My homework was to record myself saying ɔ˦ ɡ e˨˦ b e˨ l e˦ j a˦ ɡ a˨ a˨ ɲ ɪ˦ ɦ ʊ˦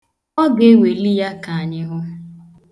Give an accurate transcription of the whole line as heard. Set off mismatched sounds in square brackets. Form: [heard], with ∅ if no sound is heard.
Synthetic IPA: ɔ˦ ɡ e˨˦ [w] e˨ l [i˦] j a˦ [k] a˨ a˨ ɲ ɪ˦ ɦ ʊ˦

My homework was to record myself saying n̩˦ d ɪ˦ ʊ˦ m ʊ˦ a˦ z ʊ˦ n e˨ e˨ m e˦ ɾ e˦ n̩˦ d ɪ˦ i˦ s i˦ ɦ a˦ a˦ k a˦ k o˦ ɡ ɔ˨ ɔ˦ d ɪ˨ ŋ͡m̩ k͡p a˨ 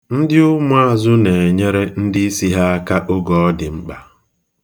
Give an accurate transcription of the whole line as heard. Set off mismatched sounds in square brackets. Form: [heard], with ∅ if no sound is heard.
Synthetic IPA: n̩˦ d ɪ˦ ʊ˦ m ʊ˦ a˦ z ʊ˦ n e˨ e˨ [ɲ] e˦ ɾ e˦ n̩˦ d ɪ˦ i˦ s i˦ ɦ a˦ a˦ k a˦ [ʔ] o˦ ɡ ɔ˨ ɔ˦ d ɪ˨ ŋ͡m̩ k͡p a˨

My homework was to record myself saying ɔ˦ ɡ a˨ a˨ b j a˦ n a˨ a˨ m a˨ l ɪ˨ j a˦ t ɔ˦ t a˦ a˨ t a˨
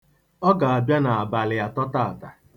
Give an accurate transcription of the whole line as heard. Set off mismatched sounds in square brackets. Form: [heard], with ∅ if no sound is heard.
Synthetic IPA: ɔ˦ ɡ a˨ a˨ b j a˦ n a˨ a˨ [b] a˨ l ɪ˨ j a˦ t ɔ˦ t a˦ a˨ t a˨

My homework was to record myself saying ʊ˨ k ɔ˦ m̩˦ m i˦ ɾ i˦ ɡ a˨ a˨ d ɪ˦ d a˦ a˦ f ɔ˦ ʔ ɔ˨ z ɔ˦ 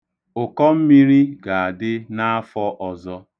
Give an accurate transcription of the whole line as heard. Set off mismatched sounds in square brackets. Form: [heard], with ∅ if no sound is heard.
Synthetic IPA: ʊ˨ k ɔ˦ m̩˦ m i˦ ɾ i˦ ɡ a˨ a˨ d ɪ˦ [n] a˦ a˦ f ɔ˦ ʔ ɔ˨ z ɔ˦

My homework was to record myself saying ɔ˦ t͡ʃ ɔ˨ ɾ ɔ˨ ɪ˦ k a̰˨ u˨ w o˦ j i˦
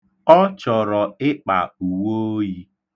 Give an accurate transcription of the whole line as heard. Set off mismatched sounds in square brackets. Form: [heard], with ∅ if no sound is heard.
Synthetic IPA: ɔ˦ t͡ʃ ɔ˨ ɾ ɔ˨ ɪ˦ [k͡p] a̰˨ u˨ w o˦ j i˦

